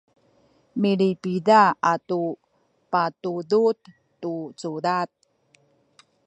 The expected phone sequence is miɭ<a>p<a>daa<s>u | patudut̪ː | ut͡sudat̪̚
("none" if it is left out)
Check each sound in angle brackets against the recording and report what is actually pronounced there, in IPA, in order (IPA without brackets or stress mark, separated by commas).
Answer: i, i, t